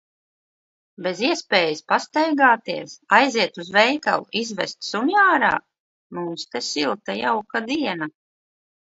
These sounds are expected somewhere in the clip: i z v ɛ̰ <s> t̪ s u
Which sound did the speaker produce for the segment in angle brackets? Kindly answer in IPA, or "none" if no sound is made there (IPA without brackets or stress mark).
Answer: s